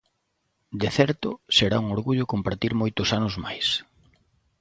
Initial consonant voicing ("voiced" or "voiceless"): voiced